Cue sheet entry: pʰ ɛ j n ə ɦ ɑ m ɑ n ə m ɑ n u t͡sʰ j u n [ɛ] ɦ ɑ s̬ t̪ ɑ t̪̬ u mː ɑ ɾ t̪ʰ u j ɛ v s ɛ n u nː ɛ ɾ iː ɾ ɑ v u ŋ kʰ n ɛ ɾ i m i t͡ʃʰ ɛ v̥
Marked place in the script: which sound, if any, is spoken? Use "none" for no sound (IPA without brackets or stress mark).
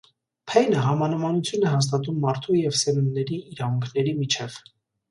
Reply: ɛ